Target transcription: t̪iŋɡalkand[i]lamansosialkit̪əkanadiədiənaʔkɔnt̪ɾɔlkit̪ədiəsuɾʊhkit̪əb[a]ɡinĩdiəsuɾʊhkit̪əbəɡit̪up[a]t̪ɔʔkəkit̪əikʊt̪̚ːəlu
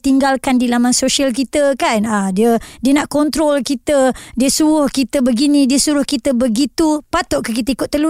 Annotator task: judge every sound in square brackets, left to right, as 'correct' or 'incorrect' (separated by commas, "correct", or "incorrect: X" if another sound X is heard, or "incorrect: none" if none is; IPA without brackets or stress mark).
correct, incorrect: ə, correct